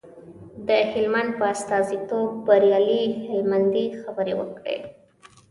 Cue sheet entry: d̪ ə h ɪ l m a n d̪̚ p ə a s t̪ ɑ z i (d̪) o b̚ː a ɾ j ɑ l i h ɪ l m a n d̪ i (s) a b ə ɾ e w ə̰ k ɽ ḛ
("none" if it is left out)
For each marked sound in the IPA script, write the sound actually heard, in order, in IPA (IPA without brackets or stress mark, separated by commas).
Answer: t̪, x